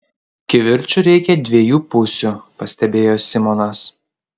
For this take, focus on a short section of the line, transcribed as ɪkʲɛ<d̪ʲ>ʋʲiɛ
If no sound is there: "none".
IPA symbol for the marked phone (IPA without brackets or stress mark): d̪ʲ